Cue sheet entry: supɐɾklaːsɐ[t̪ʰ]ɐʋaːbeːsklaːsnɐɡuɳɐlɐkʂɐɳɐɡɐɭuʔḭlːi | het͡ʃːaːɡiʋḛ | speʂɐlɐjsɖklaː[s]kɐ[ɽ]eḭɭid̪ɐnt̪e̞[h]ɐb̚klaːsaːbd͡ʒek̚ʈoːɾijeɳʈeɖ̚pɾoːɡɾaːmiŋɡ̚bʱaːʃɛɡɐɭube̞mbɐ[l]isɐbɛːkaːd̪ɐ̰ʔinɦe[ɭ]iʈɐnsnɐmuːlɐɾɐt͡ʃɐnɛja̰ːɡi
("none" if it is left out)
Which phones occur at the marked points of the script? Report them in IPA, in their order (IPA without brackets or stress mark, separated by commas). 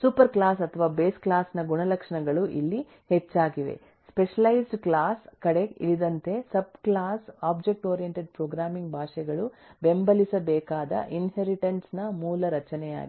t̪ʰ, s, ɽ, s, l, ɾ